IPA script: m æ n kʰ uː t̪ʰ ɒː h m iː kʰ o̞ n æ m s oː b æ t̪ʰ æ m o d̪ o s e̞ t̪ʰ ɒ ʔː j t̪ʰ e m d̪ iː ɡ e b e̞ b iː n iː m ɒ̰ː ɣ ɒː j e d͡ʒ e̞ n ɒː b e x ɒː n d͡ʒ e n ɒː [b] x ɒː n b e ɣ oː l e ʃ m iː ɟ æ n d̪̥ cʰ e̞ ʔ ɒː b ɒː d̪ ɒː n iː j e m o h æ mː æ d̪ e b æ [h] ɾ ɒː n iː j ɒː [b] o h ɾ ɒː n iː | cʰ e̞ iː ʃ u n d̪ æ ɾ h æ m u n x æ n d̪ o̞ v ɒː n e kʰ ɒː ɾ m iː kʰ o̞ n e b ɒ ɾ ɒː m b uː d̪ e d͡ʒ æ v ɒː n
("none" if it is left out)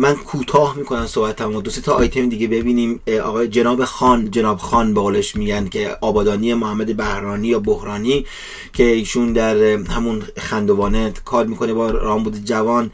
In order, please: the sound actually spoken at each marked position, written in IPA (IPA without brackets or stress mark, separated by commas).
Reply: b, h, b